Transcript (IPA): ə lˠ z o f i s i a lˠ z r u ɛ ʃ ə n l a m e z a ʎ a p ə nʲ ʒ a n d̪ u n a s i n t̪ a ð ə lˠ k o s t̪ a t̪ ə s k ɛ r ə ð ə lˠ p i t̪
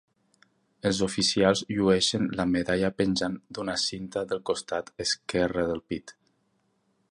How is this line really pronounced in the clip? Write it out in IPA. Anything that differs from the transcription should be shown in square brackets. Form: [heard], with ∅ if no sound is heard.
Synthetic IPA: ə lˠ z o f i s i a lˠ z [ʎ] u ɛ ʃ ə n l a m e [ð] a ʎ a p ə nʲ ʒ a n d̪ u n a s i n t̪ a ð ə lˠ k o s t̪ a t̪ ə s k ɛ r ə ð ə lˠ p i t̪

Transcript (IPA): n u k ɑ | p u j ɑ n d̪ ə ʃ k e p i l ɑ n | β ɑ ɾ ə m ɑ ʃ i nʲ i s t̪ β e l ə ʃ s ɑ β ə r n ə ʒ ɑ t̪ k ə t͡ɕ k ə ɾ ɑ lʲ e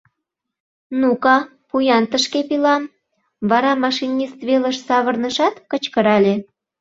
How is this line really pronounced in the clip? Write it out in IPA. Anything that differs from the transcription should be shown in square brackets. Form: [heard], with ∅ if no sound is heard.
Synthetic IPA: n u k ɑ | p u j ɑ n [t̪] ə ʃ k e p i l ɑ [m] | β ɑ ɾ [ɑ] m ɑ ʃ i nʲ i s t̪ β e l ə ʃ s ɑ β ə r n ə [ʃ] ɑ t̪ k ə t͡ɕ k ə ɾ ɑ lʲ e

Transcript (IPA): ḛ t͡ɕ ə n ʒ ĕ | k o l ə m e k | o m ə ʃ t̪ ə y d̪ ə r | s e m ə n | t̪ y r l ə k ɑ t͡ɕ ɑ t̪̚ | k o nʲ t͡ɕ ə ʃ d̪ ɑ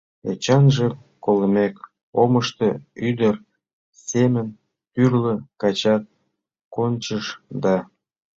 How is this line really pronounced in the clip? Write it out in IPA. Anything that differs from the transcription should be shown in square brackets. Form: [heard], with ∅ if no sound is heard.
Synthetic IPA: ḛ t͡ɕ [ɑ] n ʒ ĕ | k o l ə m e k | o m ə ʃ t̪ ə y d̪ ə r | s e m ə n | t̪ y r l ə k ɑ t͡ɕ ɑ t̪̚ | k o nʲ t͡ɕ ə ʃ d̪ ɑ

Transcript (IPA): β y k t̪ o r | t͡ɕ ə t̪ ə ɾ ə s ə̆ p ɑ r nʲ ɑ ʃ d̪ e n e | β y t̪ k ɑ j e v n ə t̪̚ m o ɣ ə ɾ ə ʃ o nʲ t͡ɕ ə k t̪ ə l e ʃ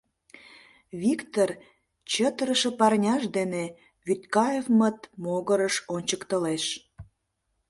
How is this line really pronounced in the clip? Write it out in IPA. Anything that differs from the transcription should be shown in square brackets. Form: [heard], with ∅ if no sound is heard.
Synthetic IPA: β [i] k t̪ o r | t͡ɕ ə t̪ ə ɾ ə [ʃ] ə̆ p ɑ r nʲ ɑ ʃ d̪ e n e | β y t̪ k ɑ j e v [m] ə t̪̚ m o ɣ ə ɾ ə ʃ o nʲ t͡ɕ ə k t̪ ə l e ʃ

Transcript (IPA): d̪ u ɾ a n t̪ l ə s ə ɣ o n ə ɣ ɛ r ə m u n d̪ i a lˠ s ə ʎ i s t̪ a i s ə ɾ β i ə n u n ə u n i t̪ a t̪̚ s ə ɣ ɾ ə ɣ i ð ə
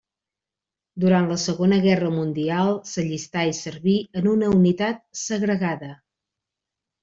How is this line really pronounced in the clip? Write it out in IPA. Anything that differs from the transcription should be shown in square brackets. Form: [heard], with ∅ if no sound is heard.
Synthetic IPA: d̪ u ɾ a n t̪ l ə s ə ɣ o n ə ɣ ɛ r ə m u n d̪ i a lˠ s ə ʎ i s t̪ a i s ə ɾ β i ə n u n ə u n i t̪ a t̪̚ s ə ɣ ɾ ə ɣ [a] ð ə

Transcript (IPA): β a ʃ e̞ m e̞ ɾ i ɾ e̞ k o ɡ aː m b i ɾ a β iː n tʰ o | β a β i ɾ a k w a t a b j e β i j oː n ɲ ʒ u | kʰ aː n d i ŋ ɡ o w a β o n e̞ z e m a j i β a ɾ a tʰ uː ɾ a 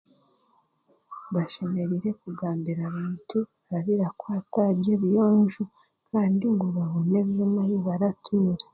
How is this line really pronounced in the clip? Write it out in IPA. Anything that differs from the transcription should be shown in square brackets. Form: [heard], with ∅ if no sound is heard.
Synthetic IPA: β a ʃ e̞ m e̞ ɾ i ɾ e̞ k [u] ɡ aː m b i ɾ a β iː n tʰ [u] | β a β i ɾ a k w a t a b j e β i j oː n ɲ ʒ u | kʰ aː n d i ŋ ɡ o [β] a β o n e̞ z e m a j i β a ɾ a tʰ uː ɾ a

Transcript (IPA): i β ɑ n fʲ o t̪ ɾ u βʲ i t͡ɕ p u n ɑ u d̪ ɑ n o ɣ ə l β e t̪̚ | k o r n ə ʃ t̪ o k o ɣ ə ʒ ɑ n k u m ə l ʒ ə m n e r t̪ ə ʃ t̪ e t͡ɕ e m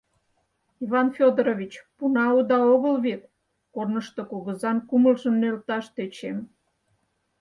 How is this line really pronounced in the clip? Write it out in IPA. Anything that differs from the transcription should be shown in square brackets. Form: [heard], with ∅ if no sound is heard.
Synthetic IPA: i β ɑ n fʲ o [d̪] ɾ [o] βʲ i t͡ɕ p u n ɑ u d̪ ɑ [∅] o ɣ ə l β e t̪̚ | k o r n ə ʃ t̪ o k o ɣ ə [z] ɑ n k u m ə l ʒ ə m n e [l] t̪ [ɑ] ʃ t̪ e t͡ɕ e m

